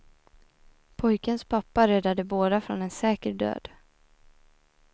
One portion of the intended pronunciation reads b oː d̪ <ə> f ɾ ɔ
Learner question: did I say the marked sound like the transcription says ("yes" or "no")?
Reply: no